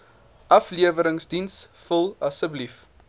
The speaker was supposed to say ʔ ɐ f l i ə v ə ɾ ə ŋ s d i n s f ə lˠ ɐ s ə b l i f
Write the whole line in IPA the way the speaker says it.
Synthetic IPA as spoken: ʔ ɐ f l i ə v ə ɾ ə ŋ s d i n s f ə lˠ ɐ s ə b l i f